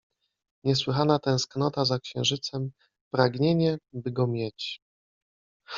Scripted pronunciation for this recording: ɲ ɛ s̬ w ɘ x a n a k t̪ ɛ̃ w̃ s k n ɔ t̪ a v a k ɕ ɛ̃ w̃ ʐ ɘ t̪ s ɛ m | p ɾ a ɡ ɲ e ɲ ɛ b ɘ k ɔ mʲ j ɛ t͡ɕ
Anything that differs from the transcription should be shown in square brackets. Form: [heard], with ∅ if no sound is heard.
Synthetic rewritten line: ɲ ɛ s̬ w ɘ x a n a [∅] t̪ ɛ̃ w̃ s k n ɔ t̪ a [z] a k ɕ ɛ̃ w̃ ʐ ɘ t̪ s ɛ m | p ɾ a ɡ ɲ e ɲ ɛ b ɘ [ɡ] ɔ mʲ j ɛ t͡ɕ